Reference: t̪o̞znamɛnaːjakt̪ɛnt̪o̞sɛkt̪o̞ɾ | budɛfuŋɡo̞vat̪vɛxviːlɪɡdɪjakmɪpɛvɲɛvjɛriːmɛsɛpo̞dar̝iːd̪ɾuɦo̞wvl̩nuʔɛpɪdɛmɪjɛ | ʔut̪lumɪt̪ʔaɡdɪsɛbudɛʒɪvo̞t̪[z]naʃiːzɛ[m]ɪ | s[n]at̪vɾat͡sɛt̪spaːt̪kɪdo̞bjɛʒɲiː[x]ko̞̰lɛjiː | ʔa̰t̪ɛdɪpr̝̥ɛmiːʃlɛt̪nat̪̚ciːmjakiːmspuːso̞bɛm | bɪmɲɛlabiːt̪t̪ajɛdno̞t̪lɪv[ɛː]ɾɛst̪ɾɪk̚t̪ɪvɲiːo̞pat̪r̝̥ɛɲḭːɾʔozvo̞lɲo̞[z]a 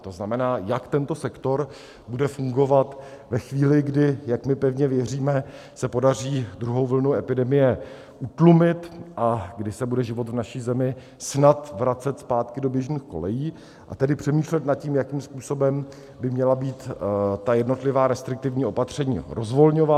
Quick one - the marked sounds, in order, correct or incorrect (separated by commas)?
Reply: incorrect, correct, correct, correct, incorrect, incorrect